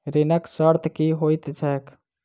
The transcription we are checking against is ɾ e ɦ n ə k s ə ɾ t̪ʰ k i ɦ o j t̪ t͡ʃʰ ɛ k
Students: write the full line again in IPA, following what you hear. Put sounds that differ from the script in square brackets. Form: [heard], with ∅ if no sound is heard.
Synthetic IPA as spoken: ɾ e [∅] n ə k s ə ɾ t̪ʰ k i ɦ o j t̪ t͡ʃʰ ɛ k